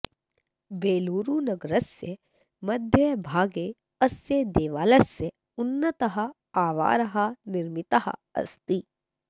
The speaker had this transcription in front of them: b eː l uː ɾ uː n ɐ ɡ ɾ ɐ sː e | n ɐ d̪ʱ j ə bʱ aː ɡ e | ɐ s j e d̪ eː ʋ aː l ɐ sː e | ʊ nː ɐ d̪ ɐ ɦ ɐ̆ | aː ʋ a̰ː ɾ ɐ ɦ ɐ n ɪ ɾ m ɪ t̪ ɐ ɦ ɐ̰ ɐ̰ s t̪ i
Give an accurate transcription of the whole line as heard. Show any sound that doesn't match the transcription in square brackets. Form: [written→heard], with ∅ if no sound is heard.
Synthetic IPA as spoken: b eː l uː ɾ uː n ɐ ɡ ɾ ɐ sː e | [n→m] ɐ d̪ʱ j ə bʱ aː ɡ e | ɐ s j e d̪ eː ʋ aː l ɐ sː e | ʊ nː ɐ [d̪→t̪] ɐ ɦ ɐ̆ | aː ʋ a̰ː ɾ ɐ ɦ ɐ n ɪ ɾ m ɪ t̪ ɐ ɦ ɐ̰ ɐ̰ s t̪ i